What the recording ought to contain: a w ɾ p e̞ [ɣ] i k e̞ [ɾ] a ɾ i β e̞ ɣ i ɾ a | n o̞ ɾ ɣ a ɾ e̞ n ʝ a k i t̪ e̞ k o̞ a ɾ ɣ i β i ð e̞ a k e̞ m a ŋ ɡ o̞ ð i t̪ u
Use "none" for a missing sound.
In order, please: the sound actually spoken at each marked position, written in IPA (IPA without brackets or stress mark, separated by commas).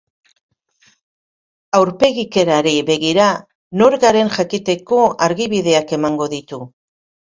ɣ, ɾ